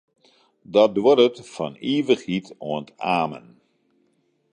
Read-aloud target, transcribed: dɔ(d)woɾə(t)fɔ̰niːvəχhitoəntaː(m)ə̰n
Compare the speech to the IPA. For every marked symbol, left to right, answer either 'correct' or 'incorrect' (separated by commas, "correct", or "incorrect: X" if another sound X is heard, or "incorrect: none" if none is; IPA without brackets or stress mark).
correct, correct, correct